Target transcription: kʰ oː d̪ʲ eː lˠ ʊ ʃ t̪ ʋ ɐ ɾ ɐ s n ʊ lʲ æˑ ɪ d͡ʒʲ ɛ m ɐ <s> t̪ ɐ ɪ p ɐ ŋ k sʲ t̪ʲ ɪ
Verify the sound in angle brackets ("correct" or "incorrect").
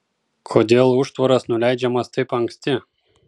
correct